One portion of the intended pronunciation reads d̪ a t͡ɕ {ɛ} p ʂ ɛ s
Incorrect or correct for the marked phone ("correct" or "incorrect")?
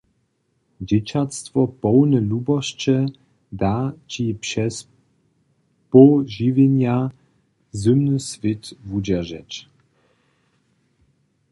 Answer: incorrect